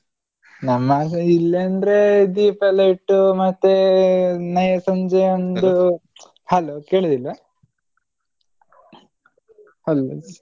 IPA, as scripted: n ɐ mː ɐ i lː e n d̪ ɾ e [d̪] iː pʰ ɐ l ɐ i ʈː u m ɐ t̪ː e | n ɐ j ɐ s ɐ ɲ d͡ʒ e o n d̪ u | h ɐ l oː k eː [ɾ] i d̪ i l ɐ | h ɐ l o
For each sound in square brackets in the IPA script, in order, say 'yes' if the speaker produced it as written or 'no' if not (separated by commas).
yes, no